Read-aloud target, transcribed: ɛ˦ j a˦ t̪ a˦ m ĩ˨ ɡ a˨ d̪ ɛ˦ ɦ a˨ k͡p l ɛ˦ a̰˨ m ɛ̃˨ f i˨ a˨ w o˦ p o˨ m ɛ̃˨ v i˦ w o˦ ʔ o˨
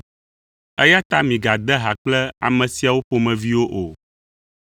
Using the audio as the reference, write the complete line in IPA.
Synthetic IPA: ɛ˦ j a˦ t̪ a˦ m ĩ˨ ɡ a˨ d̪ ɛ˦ ɦ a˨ k͡p l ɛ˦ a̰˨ m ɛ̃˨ s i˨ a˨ w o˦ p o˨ m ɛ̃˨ v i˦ w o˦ ʔ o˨